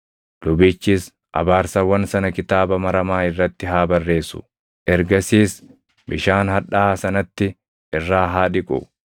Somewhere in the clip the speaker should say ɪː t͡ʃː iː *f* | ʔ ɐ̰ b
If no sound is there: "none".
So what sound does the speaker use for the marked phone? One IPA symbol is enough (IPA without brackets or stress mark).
s